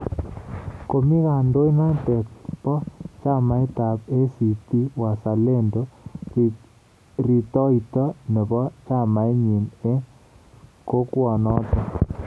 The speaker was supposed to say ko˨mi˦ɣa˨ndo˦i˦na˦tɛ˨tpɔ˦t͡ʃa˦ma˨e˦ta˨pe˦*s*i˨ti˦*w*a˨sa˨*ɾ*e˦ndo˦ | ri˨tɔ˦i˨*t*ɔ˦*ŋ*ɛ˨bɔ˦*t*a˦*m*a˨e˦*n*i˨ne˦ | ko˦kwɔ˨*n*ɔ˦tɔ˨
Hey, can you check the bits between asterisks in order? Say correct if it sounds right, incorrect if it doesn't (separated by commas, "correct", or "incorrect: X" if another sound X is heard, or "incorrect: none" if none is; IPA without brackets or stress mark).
correct, correct, incorrect: l, correct, incorrect: n, incorrect: t͡ʃ, correct, incorrect: ɲ, correct